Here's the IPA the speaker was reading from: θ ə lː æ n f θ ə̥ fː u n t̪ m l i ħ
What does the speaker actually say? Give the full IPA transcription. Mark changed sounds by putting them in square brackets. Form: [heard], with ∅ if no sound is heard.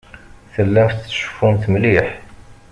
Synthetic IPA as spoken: θ ə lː æ [m] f [ʃ] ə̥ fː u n t̪ m l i ħ